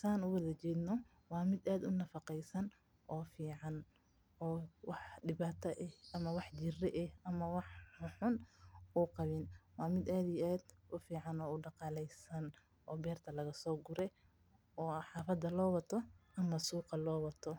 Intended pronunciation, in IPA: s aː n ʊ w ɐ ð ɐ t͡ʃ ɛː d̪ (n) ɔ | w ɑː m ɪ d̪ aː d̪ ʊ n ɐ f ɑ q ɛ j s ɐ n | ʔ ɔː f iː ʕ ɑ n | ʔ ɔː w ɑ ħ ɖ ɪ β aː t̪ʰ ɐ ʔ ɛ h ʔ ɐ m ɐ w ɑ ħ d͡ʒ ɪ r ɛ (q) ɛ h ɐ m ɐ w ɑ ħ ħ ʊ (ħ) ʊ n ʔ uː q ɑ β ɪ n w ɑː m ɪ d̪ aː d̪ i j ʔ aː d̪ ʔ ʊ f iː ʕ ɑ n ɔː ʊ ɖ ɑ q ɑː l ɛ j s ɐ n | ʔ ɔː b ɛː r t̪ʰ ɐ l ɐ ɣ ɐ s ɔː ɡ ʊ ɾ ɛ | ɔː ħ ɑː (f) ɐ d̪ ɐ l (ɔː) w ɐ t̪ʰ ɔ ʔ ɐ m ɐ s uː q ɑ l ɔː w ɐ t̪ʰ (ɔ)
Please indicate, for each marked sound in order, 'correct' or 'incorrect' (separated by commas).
correct, incorrect, correct, correct, correct, correct